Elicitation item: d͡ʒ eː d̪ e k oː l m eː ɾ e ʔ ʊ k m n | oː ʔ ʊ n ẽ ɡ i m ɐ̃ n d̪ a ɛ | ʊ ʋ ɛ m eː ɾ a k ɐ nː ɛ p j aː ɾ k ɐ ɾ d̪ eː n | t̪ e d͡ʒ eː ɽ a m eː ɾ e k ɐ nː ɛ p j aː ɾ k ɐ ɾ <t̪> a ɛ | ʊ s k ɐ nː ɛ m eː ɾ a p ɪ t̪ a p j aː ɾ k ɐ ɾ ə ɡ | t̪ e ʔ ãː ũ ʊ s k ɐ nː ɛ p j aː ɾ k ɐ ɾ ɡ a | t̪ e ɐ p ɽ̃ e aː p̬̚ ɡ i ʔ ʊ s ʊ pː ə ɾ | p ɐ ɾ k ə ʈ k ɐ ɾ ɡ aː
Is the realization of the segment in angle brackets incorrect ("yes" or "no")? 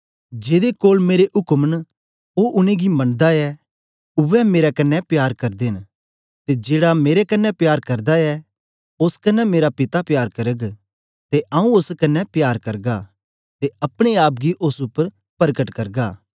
yes